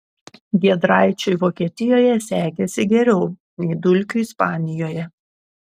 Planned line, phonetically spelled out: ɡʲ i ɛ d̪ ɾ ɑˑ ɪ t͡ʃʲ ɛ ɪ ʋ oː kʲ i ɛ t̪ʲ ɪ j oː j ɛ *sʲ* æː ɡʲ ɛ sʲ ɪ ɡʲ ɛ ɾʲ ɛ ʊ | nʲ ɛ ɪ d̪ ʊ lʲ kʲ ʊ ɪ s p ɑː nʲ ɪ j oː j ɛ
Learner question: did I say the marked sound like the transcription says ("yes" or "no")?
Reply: yes